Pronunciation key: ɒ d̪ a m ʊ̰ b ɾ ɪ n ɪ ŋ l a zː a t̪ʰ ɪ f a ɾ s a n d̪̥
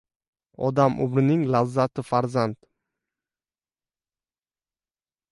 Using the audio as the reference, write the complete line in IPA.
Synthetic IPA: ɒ d̪ a m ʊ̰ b ɾ ɪ n ɪ ŋ l a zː a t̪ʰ ɪ f a ɾ z a n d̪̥